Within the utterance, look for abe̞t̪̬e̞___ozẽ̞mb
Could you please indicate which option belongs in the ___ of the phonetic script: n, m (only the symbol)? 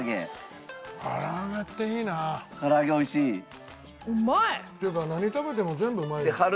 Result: m